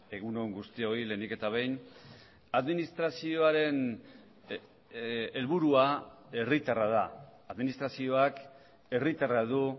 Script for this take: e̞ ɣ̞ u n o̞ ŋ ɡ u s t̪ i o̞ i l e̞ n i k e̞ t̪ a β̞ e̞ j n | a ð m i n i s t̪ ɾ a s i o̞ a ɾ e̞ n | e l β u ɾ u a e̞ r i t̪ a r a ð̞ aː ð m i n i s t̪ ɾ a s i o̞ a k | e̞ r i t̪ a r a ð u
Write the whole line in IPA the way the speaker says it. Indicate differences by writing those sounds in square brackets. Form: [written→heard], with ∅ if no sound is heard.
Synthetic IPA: e̞ ɣ̞ u n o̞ ŋ ɡ u s t̪ i o̞ i l e̞ n i k e̞ t̪ a β̞ e̞ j n | a ð m i n i s t̪ ɾ a s i o̞ a ɾ e̞ n | e l β u ɾ u a e̞ r i t̪ a r a ð̞ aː ð m i n i s t̪ ɾ a s i o̞ a k | e̞ r i t̪ a r a ð u